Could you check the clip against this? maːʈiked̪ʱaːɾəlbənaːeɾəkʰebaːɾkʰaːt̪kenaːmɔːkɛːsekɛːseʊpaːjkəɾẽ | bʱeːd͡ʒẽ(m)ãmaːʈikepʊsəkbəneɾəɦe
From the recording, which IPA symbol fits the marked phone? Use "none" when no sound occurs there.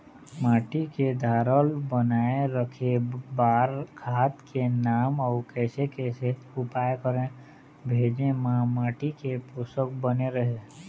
m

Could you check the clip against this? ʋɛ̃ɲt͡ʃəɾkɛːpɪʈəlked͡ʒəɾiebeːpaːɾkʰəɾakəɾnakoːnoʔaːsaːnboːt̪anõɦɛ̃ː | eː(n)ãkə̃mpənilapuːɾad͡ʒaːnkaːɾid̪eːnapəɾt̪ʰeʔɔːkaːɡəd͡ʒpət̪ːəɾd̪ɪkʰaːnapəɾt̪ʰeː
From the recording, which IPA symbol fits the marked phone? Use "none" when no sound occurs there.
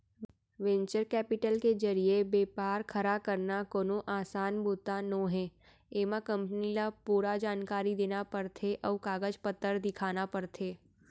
m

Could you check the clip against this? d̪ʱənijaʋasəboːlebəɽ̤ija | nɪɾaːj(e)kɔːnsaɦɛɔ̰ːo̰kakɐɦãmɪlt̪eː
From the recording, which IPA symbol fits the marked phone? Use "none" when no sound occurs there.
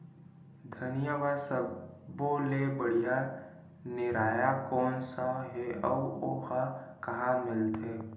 a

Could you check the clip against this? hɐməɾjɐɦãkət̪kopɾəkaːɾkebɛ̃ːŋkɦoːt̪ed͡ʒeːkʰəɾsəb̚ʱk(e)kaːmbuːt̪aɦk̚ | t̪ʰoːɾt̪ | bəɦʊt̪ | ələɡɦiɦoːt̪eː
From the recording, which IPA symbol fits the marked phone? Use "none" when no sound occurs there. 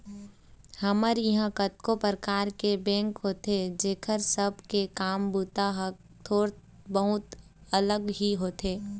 e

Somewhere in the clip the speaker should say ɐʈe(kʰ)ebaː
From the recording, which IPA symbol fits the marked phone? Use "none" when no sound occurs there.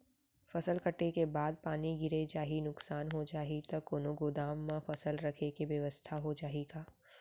k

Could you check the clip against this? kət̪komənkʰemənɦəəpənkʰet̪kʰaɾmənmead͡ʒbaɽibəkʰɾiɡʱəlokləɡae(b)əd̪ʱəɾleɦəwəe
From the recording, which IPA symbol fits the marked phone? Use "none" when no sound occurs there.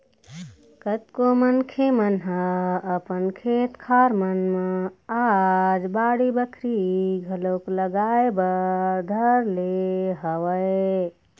b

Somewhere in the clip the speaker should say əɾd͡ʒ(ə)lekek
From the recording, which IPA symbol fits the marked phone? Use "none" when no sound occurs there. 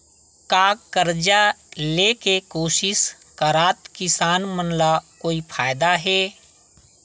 a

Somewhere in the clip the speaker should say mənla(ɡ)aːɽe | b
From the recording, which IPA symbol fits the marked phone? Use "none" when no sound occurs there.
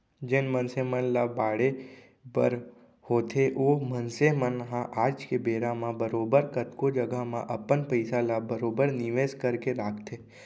b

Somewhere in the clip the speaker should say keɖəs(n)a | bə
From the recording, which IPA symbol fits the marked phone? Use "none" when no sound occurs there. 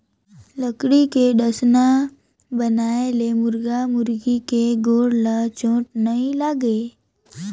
n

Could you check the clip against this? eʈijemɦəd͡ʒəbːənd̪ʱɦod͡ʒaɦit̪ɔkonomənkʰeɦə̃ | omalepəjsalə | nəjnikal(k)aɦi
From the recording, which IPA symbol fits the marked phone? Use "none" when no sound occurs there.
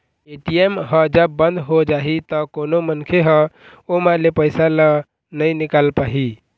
p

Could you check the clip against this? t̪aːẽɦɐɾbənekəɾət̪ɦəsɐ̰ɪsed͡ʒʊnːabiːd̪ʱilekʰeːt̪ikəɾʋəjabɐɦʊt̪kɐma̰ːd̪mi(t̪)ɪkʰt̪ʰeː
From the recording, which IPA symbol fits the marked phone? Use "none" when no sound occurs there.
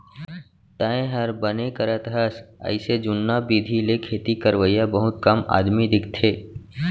d̪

